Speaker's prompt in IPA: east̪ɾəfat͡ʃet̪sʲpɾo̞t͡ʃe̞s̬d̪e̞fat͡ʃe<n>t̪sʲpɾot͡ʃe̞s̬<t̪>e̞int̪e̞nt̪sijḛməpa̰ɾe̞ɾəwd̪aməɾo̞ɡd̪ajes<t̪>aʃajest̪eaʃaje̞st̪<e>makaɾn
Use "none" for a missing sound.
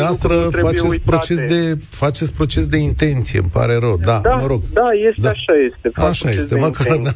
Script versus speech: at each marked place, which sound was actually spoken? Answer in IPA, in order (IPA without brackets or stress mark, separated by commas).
none, d̪, d̪, e